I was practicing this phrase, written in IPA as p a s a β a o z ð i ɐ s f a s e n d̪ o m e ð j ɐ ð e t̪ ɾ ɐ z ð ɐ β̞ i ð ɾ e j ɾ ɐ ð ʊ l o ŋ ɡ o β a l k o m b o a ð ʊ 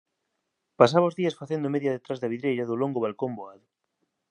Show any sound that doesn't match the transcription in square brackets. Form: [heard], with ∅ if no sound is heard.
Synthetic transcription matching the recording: p a s a β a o z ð i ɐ s f a [θ] e n d̪ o m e ð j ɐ ð e t̪ ɾ [a] z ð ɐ β̞ i ð ɾ e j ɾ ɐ ð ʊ l o ŋ ɡ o β a l k o m b o a ð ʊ